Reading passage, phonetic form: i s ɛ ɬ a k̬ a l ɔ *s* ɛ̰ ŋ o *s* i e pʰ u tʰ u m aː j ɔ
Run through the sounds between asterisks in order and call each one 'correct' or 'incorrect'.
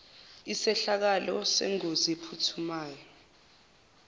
correct, incorrect: z

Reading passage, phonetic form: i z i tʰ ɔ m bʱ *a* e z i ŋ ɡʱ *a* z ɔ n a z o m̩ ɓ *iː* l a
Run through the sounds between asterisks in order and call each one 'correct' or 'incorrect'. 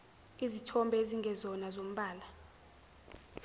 incorrect: ɛ, incorrect: ɛ, incorrect: aː

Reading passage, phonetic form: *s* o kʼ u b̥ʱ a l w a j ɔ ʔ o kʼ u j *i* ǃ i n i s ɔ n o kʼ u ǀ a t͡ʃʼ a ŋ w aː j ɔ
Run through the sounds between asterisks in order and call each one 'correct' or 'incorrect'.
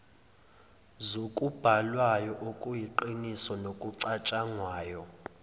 incorrect: z, correct

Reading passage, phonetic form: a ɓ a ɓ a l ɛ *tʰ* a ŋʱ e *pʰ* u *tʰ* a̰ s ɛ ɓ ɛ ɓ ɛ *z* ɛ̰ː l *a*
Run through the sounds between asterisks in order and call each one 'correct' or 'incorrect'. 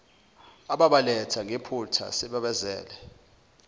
correct, correct, correct, correct, incorrect: ɛ

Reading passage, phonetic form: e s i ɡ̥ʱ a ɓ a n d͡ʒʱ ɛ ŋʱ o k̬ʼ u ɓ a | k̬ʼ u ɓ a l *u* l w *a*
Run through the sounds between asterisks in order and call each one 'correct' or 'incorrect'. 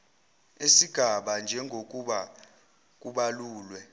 incorrect: uː, incorrect: ɛ

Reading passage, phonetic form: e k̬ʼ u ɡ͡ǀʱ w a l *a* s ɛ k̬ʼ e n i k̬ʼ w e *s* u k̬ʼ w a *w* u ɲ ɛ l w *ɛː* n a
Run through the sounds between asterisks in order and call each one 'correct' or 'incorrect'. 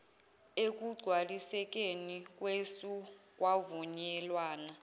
incorrect: i, correct, incorrect: v, incorrect: aː

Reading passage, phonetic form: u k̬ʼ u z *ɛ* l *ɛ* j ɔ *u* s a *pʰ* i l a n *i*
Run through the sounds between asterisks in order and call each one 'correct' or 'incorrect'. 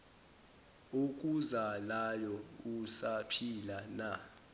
incorrect: a, incorrect: a, correct, correct, incorrect: a

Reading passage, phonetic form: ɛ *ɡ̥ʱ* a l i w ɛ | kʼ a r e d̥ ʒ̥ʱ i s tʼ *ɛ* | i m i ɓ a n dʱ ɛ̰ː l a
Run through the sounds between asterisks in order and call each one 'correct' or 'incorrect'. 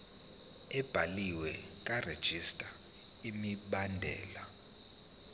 incorrect: b̥ʱ, incorrect: a

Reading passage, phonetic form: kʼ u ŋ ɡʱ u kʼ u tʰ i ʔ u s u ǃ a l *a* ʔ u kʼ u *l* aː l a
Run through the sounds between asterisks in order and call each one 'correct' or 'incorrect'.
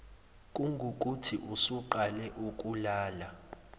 incorrect: ɛ, correct

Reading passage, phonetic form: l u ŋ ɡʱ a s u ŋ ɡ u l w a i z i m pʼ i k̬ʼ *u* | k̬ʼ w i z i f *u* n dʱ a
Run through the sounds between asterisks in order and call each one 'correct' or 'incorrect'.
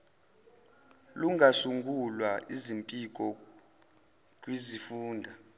incorrect: ɔ, incorrect: uː

